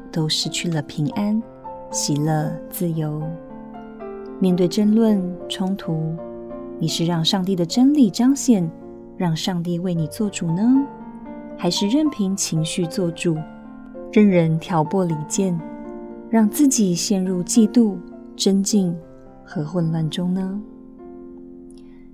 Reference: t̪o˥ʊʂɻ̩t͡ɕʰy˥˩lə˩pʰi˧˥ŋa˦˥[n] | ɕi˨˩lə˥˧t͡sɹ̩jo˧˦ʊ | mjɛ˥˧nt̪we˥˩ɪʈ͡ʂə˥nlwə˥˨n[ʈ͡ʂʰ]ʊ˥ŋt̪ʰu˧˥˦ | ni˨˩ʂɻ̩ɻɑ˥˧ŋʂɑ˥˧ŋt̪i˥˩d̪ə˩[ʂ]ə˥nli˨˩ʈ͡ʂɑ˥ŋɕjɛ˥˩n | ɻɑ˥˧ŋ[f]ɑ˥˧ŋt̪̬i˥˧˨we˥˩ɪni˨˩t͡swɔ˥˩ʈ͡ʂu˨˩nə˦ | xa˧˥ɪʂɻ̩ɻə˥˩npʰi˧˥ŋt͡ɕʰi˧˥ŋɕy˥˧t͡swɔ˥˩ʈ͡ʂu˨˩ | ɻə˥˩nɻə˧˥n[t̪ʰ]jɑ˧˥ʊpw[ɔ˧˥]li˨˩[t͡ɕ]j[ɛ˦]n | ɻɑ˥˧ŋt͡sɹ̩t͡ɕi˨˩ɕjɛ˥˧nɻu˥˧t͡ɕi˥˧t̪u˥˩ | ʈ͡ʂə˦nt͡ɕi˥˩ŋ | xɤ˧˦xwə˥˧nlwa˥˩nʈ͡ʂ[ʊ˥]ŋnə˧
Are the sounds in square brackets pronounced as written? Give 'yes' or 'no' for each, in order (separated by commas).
yes, yes, no, no, yes, no, yes, no, yes